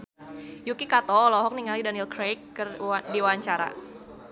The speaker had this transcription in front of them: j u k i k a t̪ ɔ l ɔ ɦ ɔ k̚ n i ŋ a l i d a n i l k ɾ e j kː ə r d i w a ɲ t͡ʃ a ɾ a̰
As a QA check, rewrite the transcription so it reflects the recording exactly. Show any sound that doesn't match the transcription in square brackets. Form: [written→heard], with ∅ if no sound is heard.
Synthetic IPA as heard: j u k i k a t̪ ɔ l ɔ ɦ ɔ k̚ n i ŋ a l i d a n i l k ɾ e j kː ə r d i w a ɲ t͡ʃ a ɾ a̰